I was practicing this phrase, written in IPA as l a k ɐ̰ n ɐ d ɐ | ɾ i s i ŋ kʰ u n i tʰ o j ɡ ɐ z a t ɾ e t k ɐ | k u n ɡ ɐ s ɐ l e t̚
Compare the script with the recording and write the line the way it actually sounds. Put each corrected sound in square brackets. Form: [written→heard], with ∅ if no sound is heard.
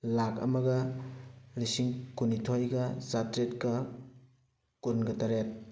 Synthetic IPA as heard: l a k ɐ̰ [n→m] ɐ [d→ɡ] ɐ | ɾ i s i ŋ [kʰ→k] u n i tʰ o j ɡ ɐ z a t ɾ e t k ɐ | k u n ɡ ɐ [s→t] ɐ [l→ɾ] e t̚